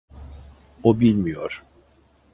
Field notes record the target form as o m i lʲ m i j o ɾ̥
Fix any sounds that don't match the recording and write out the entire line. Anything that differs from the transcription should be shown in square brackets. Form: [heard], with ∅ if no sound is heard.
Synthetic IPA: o [b] i lʲ m i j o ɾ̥